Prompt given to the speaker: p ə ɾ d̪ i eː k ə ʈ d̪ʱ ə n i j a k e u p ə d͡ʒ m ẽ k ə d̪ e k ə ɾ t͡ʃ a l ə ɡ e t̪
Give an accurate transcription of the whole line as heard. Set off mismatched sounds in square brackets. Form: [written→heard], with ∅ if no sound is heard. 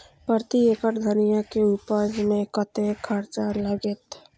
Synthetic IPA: p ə ɾ [d̪→t̪] i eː k ə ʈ d̪ʱ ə n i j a k e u p ə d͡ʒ m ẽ k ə [d̪→t̪] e [k→kʰ] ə ɾ t͡ʃ a l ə ɡ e t̪